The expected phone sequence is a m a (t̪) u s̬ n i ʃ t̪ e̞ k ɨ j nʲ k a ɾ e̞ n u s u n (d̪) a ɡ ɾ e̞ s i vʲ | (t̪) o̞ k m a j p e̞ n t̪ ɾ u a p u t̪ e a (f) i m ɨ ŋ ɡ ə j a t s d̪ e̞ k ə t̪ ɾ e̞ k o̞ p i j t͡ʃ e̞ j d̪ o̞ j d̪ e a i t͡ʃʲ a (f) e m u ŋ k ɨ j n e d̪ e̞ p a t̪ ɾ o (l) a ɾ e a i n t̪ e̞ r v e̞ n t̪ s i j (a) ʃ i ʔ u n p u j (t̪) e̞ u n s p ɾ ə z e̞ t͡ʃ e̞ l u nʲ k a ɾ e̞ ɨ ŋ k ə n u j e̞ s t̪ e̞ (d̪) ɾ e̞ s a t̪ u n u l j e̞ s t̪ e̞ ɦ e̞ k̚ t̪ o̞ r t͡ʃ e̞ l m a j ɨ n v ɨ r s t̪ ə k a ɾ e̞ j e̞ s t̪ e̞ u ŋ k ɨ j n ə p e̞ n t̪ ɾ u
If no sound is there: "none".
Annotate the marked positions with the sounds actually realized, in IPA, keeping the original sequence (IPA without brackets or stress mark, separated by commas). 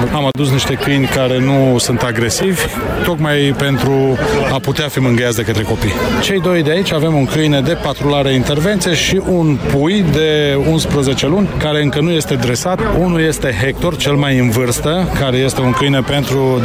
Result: d̪, t̪, t̪, f, v, l, e, d̪, d̪